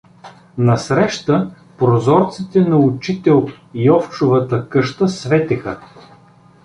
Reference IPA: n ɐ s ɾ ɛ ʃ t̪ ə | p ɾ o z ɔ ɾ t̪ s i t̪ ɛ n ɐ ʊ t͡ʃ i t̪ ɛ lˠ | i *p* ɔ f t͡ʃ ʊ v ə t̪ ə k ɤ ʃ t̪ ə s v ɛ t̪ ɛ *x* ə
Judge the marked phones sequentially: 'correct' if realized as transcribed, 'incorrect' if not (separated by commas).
incorrect, correct